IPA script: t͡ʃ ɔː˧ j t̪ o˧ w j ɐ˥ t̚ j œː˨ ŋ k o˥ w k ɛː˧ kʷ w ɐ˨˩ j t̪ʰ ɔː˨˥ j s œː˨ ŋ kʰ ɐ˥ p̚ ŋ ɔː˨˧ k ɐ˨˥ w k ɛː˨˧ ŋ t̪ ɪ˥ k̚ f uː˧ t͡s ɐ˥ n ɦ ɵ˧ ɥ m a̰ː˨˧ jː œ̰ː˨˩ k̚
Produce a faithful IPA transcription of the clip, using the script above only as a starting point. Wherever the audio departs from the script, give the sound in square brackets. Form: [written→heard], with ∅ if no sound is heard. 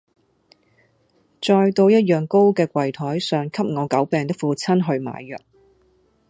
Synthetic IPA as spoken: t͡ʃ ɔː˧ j t̪ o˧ w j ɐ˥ t̚ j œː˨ ŋ k o˥ w k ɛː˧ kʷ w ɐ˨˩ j t̪ʰ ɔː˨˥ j s œː˨ ŋ kʰ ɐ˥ p̚ ŋ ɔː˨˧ k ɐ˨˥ w [k→p] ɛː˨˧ ŋ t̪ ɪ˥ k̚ f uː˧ [t͡s→t͡sʰ] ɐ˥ n ɦ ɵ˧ ɥ m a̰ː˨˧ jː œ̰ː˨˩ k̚